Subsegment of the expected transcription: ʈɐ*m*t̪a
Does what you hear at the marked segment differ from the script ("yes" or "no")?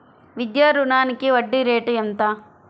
yes